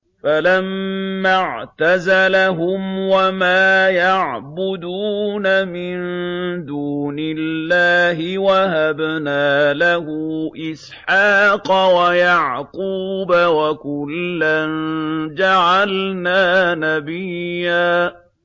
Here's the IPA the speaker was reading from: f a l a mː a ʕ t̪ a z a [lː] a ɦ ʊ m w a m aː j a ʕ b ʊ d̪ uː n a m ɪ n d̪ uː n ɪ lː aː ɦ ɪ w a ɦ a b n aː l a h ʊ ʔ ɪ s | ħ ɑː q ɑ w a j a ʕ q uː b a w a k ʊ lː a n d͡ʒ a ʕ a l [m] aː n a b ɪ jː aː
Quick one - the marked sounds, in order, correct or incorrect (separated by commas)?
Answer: incorrect, incorrect